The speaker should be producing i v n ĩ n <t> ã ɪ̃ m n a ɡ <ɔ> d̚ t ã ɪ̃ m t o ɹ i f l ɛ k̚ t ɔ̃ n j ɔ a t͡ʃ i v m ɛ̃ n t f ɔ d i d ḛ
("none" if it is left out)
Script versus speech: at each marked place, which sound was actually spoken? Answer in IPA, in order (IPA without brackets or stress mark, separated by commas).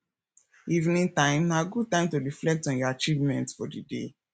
t, u